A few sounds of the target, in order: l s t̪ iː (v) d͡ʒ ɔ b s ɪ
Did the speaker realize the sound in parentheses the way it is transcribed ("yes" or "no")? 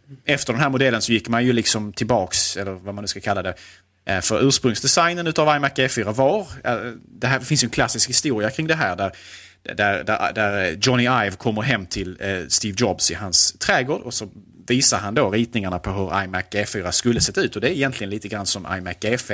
yes